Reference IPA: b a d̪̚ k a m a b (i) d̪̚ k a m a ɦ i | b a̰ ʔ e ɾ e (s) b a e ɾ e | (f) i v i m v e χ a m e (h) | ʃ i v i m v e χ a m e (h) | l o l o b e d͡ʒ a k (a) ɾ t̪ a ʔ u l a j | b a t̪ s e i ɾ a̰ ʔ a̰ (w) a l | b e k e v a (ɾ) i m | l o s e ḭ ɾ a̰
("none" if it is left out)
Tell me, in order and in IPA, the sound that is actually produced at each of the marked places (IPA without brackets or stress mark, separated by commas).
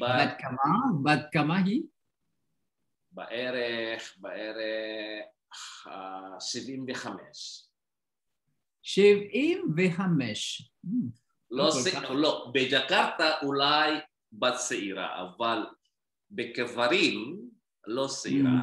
a, χ, ʃ, ʃ, ʃ, a, v, ɾ